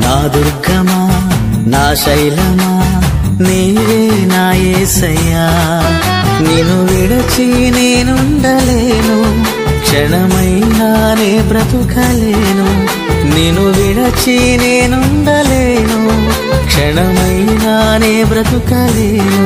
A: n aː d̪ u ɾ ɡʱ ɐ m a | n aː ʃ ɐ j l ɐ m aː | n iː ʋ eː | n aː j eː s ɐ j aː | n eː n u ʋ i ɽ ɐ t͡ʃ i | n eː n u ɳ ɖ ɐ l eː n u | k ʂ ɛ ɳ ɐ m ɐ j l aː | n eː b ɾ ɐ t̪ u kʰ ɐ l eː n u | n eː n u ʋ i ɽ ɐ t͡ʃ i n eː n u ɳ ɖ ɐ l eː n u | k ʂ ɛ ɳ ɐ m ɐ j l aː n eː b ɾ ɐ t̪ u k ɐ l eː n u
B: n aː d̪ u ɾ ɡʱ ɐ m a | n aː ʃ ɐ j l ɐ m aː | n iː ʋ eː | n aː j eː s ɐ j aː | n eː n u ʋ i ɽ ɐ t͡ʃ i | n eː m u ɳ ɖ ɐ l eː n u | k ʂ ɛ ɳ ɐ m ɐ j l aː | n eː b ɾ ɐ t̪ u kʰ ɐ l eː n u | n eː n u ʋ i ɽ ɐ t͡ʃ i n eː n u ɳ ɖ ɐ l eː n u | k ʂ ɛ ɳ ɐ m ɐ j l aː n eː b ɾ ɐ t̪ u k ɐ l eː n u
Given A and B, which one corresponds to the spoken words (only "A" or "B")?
A